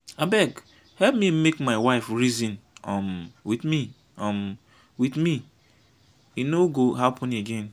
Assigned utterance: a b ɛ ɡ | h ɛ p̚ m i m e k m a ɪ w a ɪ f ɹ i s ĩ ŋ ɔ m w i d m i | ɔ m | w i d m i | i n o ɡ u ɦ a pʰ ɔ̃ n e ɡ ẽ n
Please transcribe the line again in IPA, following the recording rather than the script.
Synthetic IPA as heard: a b ɛ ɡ | h ɛ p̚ m i m e k m a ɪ w a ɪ f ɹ i z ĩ n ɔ m w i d m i | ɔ m | w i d m i | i n o ɡ o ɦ a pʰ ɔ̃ n e ɡ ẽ n